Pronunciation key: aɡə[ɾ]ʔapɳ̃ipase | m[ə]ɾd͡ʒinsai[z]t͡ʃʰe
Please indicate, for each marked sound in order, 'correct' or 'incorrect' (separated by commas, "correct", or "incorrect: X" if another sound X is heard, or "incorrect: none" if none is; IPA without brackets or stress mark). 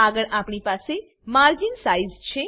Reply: incorrect: ɭ, incorrect: a, correct